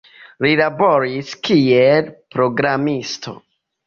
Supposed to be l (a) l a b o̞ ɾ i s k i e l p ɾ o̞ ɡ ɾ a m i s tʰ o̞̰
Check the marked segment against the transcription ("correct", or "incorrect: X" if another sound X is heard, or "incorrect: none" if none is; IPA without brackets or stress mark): incorrect: i